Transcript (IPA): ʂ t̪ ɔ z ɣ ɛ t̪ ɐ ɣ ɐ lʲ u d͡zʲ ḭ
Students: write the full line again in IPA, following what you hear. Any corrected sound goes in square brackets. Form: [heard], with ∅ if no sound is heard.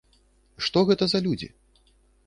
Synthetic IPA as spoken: ʂ t̪ ɔ [∅] ɣ ɛ t̪ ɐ [z] ɐ lʲ u d͡zʲ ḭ

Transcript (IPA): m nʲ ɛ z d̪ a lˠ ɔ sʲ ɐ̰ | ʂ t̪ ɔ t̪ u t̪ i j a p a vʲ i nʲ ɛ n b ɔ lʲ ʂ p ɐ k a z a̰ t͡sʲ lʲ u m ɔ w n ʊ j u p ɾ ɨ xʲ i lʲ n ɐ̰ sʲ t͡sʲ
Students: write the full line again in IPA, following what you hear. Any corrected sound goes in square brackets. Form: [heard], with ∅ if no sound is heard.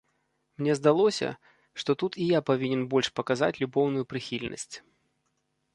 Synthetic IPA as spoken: m nʲ ɛ z d̪ a lˠ ɔ sʲ ɐ̰ | ʂ t̪ ɔ t̪ u t̪ i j a p a vʲ i nʲ ɛ n b ɔ lʲ ʂ p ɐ k a z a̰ t͡sʲ lʲ u [b] ɔ w n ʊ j u p ɾ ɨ xʲ i lʲ n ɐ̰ sʲ t͡sʲ

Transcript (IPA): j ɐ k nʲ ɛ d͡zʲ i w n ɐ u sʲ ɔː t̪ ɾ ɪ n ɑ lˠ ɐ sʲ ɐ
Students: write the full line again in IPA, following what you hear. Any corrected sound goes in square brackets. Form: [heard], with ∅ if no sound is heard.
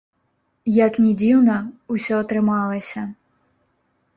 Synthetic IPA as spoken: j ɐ k nʲ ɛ d͡zʲ i w n ɐ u sʲ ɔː t̪ ɾ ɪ [m] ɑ lˠ ɐ sʲ ɐ

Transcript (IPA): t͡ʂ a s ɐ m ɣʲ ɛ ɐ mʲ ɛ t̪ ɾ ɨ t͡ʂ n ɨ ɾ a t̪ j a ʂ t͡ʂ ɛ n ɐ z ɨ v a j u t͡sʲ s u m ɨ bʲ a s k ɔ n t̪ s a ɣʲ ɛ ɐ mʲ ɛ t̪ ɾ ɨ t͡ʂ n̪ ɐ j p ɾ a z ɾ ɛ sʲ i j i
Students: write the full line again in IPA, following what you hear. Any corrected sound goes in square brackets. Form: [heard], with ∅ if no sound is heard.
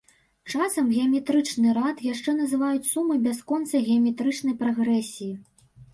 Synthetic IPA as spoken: t͡ʂ a s ɐ m ɣʲ ɛ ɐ mʲ ɛ t̪ ɾ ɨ t͡ʂ n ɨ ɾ a t̪ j a ʂ t͡ʂ ɛ n ɐ z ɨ v a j u t͡sʲ s u m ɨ bʲ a s k ɔ n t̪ s [ɐ] ɣʲ ɛ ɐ mʲ ɛ t̪ ɾ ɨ t͡ʂ n̪ ɐ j p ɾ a [ɣ] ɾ ɛ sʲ i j i

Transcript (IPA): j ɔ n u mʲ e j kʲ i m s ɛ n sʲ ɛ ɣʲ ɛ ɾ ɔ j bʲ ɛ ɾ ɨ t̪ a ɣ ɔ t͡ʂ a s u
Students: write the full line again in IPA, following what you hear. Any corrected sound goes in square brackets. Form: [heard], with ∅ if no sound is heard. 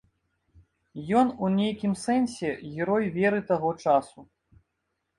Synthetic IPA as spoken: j ɔ n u [nʲ] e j kʲ i m s ɛ n sʲ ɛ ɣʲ ɛ ɾ ɔ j [vʲ] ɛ ɾ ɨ t̪ a ɣ ɔ t͡ʂ a s u

